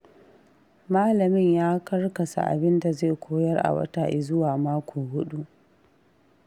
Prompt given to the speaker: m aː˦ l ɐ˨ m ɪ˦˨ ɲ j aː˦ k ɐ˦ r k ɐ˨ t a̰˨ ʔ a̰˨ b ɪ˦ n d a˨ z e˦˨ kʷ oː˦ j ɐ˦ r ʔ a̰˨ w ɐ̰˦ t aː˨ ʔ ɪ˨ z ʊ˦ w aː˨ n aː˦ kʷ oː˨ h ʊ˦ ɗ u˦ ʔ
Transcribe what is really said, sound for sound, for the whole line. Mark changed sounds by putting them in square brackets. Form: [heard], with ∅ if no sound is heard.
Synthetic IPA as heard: m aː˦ l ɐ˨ m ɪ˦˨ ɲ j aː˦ k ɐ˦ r k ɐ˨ [s] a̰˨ ʔ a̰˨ b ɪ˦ n d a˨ z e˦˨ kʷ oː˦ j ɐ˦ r ʔ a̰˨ w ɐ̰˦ t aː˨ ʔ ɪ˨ z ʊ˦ w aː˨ [m] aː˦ kʷ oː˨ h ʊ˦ ɗ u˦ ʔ